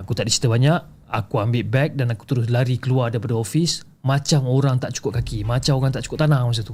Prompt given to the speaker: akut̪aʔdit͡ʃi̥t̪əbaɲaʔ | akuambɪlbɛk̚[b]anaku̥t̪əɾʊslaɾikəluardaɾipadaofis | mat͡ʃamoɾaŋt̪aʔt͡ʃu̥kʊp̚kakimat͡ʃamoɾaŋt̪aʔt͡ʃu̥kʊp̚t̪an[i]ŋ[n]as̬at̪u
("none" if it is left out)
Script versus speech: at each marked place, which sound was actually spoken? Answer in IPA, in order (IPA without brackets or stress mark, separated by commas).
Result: d, a, m